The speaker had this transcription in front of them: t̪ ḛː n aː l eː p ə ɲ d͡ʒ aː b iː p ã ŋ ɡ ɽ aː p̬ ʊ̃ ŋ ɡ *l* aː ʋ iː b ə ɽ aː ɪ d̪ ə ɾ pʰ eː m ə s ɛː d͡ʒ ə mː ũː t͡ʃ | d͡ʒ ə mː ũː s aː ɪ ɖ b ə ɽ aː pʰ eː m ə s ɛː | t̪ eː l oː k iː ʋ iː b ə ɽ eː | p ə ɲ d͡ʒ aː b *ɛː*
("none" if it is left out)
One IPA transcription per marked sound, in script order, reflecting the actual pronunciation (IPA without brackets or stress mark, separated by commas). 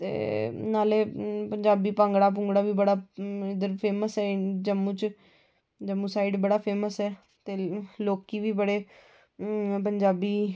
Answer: ɽ, iː